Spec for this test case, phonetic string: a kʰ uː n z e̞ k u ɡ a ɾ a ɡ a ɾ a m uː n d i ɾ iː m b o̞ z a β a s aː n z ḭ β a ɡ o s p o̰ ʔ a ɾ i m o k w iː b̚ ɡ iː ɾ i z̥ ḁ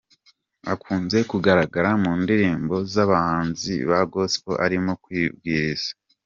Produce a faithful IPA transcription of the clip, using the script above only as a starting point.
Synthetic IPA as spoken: a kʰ uː n z e̞ k u ɡ a ɾ a ɡ a ɾ a m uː n d i ɾ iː m b o̞ z a β a h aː n z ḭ β a ɡ o s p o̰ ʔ a ɾ i m o k w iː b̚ ɡ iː ɾ i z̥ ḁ